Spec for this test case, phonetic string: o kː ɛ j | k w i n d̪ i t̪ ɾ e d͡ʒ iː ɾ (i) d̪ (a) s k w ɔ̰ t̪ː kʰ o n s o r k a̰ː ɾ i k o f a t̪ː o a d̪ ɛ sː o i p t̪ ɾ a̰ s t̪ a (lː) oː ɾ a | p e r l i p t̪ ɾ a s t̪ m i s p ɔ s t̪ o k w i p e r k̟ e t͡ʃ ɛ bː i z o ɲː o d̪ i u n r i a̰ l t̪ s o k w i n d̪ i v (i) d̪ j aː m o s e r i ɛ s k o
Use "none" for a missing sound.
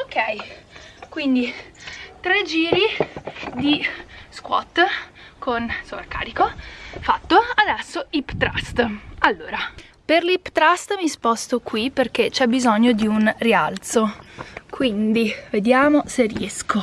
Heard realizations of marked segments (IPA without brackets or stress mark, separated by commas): i, i, lː, e